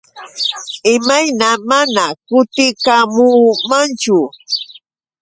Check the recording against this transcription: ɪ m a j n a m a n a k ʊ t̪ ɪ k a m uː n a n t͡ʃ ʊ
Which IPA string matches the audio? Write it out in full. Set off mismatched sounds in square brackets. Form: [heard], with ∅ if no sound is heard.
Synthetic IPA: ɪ m a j n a m a n a k ʊ t̪ ɪ k a m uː [m] a n t͡ʃ ʊ